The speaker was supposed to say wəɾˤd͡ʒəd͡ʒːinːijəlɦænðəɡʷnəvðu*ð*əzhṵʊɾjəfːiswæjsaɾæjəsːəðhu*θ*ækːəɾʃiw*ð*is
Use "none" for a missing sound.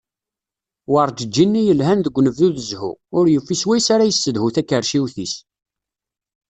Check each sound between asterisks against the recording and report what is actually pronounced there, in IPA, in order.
ð, θ, θ

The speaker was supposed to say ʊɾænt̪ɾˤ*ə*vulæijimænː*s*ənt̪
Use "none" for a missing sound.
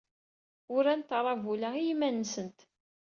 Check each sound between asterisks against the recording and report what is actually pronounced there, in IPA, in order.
ɑ, s

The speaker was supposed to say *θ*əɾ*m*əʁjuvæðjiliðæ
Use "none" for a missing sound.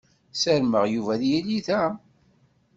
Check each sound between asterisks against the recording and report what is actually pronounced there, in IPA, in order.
s, m

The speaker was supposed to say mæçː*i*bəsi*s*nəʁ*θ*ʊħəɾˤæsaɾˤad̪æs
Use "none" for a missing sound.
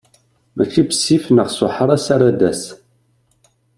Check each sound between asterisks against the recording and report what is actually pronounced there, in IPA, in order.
i, f, s

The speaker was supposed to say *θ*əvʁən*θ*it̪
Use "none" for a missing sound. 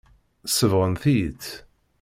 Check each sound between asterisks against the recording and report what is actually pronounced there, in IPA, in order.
s, θ

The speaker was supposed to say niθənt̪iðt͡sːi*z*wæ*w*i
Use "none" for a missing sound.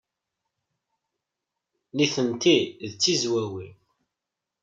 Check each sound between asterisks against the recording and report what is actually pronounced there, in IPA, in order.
z, w

